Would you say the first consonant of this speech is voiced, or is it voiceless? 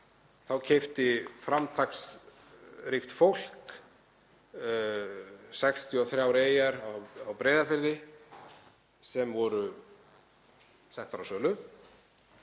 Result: voiceless